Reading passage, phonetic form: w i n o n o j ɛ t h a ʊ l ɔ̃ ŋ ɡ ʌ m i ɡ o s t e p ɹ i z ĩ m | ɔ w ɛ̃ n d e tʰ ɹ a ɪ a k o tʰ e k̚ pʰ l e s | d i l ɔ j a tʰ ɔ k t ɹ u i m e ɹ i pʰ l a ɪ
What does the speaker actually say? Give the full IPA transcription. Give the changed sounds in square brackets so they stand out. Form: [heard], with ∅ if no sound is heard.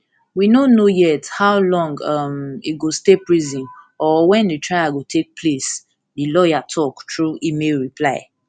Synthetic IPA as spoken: w i n o n o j ɛ t h a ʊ l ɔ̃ ŋ ɡ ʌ m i ɡ o s t e p ɹ i z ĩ [n] | ɔ w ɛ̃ n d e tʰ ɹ a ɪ a [ɡ] o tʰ e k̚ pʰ l e s | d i l ɔ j a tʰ ɔ k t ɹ u i m e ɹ i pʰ l a ɪ